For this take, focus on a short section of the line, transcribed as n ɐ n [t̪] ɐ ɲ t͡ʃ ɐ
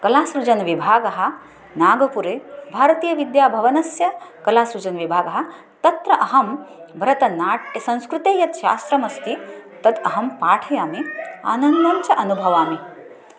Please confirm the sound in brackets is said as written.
no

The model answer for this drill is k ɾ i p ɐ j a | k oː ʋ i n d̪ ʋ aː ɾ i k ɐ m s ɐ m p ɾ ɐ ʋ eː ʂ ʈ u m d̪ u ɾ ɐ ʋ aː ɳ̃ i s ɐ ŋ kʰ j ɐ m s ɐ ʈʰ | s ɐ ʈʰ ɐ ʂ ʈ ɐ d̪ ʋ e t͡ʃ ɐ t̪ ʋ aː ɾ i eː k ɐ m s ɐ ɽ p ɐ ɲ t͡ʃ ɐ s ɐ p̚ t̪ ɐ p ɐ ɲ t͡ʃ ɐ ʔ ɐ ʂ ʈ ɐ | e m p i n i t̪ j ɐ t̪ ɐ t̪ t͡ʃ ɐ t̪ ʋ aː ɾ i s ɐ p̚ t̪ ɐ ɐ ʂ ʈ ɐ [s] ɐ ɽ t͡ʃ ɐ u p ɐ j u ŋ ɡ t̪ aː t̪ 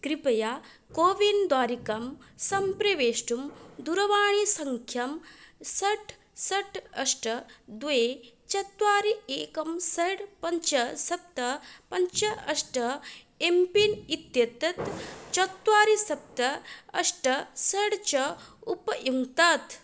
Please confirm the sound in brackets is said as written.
yes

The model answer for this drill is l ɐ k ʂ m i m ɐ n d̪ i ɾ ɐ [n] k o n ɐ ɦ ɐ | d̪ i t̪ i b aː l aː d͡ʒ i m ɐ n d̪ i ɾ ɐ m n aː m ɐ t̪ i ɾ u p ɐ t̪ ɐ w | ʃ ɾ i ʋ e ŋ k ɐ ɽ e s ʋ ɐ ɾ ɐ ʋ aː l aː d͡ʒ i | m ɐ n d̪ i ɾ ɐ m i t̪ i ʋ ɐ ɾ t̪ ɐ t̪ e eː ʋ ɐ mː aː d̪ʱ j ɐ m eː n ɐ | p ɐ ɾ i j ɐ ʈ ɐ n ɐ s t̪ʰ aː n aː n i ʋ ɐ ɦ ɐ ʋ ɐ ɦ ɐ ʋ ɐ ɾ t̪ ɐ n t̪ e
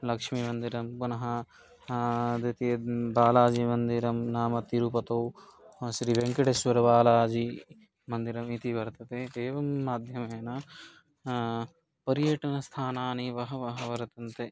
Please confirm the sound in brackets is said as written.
no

